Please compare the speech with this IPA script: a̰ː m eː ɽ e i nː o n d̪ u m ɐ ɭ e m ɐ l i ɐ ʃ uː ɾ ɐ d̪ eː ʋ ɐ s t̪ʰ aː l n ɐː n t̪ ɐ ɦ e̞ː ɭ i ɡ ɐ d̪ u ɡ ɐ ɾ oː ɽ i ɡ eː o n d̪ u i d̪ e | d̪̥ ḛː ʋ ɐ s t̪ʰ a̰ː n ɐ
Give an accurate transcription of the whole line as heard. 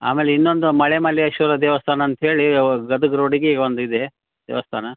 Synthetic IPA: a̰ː m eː l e i nː o n d̪ u m ɐ ɭ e m ɐ l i ɐ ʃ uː ɾ ɐ d̪ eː ʋ ɐ s t̪ʰ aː n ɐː n t̪ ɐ ɦ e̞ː ɭ i ɡ ɐ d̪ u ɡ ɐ ɾ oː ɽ i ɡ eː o n d̪ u i d̪ e | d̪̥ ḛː ʋ ɐ s t̪ʰ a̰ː n ɐ